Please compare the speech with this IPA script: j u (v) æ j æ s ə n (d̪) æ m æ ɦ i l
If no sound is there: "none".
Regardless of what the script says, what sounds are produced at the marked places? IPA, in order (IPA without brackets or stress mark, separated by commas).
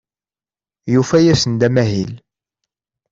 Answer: f, d̪